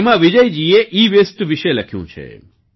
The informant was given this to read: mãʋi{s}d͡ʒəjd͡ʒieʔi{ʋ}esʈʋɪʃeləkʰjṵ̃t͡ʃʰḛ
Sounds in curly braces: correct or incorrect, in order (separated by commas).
incorrect, correct